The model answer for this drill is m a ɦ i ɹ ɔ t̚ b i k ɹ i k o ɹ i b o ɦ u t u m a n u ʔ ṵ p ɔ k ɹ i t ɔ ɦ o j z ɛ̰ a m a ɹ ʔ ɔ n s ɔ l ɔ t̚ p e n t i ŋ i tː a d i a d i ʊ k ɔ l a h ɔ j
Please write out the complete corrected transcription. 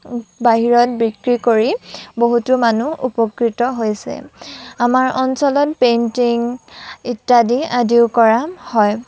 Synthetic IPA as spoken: b a ɦ i ɹ ɔ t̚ b i k ɹ i k o ɹ i b o ɦ u t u m a n u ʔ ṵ p ɔ k ɹ i t ɔ ɦ o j s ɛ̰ a m a ɹ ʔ ɔ n s ɔ l ɔ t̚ p e n t i ŋ i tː a d i a d i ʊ k ɔ ɹ a h ɔ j

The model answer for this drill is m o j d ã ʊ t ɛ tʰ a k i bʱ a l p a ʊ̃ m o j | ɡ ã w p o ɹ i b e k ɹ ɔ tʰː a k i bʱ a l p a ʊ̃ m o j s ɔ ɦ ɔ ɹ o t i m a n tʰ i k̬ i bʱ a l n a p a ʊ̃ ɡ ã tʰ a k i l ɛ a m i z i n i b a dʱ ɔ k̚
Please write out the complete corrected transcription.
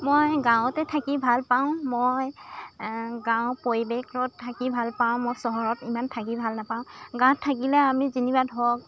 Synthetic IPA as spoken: m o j ɡ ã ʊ t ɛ tʰ a k i bʱ a l p a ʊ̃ m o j | ɡ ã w p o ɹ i b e k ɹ ɔ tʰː a k i bʱ a l p a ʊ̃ m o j s ɔ ɦ ɔ ɹ ɔ t i m a n tʰ a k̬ i bʱ a l n a p a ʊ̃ ɡ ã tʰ a k i l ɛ a m i z i n i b a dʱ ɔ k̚

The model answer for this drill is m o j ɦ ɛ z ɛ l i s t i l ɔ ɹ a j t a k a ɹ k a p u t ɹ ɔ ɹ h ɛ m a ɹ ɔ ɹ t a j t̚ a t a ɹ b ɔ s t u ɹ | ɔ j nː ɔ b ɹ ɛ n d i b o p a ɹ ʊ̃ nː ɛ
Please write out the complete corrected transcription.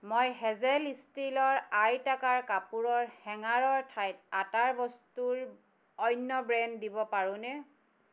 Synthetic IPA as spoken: m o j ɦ ɛ z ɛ l i s t i l ɔ ɹ a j t a k a ɹ k a p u ɹ ɔ ɹ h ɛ ŋ a ɹ ɔ ɹ tʰ a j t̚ a t a ɹ b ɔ s t u ɹ | ɔ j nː ɔ b ɹ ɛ n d i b ɔ p a ɹ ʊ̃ n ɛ

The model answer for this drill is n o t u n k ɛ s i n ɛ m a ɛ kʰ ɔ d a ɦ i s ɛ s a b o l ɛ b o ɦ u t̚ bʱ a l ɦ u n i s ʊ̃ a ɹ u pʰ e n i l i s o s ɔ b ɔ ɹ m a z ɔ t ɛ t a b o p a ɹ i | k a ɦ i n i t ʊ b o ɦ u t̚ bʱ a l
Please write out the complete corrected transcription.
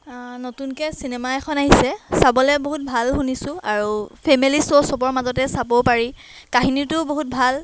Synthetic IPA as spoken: n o t u n k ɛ s i n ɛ m a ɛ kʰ ɔ n a ɦ i s ɛ s a b ɔ l ɛ b o ɦ u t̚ bʱ a l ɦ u n i s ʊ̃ a ɹ u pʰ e m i l i s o s ɔ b ɔ ɹ m a z ɔ t ɛ s a b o p a ɹ i | k a ɦ i n i t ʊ b o ɦ u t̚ bʱ a l

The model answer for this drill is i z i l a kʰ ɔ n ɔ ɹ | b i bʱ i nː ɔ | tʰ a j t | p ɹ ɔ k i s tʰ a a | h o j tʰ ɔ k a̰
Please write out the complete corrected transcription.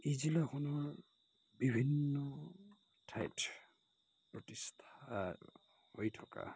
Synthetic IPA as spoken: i z i l a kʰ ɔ n ɔ ɹ | b i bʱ i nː ɔ | tʰ a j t | p ɹ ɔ t i s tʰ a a | h o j tʰ ɔ k a̰

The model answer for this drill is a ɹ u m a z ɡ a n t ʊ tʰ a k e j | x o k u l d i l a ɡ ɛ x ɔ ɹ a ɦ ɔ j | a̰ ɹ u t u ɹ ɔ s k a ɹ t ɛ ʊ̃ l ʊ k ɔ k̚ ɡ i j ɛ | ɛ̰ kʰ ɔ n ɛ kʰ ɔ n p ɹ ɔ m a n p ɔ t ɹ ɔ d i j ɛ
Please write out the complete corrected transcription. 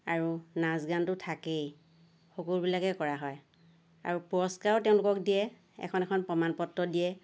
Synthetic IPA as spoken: a ɹ u n a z ɡ a n t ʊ tʰ a k e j | x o k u l b i l a k ɛ k ɔ ɹ a ɦ ɔ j | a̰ ɹ u p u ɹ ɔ s k a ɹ t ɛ ʊ̃ l ʊ k ɔ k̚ d i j ɛ | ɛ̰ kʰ ɔ n ɛ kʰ ɔ n p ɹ ɔ m a n p ɔ t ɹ ɔ d i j ɛ

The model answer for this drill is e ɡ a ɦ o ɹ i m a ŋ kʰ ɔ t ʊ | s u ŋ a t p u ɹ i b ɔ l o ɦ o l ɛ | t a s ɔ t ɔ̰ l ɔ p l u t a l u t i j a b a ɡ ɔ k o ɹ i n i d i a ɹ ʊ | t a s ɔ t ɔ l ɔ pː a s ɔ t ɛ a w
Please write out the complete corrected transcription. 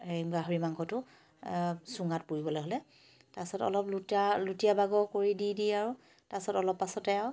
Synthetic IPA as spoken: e ɡ a ɦ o ɹ i m a ŋ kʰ ɔ t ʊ | s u ŋ a t p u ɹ i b ɔ l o ɦ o l ɛ | t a s ɔ t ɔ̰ l ɔ p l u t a l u t i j a b a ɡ ɔ k o ɹ i d i d i a ɹ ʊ | t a s ɔ t ɔ l ɔ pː a s ɔ t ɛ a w

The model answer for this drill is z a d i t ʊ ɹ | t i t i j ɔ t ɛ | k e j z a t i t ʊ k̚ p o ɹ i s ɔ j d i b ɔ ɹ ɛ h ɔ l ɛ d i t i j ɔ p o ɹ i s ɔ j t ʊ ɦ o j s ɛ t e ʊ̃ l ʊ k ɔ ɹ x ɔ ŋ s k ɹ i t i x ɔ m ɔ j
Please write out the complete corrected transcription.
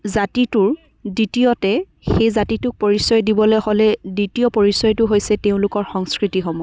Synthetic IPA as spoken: z a t i t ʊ ɹ | d i t i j ɔ t ɛ | x e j z a t i t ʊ k̚ p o ɹ i s ɔ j d i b ɔ l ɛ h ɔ l ɛ d i t i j ɔ p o ɹ i s ɔ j t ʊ ɦ o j s ɛ t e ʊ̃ l ʊ k ɔ ɹ x ɔ ŋ s k ɹ i t i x ɔ m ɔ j

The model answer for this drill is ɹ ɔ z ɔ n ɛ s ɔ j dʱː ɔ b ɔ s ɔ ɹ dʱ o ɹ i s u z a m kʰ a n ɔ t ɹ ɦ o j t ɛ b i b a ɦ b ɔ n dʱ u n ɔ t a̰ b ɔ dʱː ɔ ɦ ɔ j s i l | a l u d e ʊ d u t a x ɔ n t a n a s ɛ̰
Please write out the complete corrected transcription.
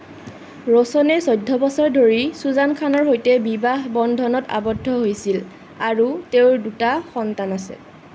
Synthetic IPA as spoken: ɹ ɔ s ɔ n ɛ s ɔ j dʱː ɔ b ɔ s ɔ ɹ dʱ o ɹ i s u z a n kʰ a n ɔ ɹ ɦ o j t ɛ b i b a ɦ b ɔ n dʱ ɔ n ɔ t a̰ b ɔ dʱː ɔ ɦ o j s i l | a ɹ u t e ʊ d u t a x ɔ n t a n a s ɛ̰

